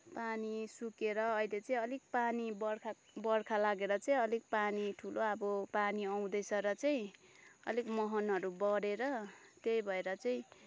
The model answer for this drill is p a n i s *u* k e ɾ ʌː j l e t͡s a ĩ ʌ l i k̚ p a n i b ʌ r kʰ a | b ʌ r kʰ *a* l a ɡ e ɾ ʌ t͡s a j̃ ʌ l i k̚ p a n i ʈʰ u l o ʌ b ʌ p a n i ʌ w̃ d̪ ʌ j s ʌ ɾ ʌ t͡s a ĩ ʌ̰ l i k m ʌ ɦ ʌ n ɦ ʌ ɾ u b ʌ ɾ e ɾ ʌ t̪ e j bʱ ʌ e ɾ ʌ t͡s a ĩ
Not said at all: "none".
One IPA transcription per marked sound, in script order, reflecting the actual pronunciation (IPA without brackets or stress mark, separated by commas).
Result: u, a